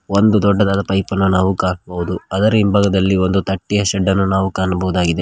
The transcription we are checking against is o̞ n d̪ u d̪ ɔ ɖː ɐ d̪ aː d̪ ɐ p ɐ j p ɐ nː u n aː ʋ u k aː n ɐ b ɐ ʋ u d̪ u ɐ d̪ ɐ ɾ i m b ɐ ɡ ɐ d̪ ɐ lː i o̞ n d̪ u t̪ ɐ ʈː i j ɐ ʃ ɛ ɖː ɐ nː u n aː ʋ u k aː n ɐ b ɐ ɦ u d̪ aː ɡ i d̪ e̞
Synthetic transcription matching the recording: o̞ n d̪ u d̪ ɔ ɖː ɐ d̪ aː d̪ ɐ p ɐ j p ɐ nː u n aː ʋ u k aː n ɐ b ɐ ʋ u d̪ u ɐ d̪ ɐ ɾ i m b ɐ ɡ ɐ d̪ ɐ lː i o̞ n d̪ u t̪ ɐ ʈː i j ɐ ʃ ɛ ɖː ɐ nː u n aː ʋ u k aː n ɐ b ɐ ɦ u d̪ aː ɡ i d̪ e̞